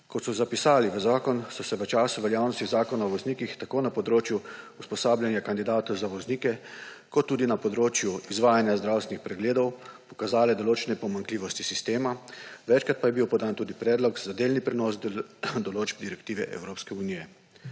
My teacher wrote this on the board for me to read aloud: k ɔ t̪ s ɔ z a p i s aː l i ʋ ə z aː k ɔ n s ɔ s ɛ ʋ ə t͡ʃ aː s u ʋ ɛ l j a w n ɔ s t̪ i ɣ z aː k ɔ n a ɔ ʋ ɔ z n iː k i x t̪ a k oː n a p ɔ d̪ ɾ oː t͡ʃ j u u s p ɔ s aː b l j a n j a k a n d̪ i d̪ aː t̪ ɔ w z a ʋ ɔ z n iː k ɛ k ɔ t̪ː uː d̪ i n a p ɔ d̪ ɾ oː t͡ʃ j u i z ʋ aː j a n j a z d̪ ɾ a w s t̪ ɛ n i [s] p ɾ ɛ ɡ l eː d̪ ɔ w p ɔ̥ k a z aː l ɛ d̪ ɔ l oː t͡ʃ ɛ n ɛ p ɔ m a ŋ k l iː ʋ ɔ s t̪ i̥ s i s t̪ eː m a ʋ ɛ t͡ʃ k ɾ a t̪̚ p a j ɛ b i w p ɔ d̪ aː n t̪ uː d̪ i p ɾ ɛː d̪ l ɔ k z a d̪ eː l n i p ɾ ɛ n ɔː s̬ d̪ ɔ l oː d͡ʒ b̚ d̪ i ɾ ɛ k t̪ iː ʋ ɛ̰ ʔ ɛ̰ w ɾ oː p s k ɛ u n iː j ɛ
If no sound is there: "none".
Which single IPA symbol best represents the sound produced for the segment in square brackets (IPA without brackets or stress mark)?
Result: x